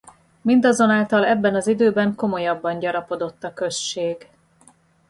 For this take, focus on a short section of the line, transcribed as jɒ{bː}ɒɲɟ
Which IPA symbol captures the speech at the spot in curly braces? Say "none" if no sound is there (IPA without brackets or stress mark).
bː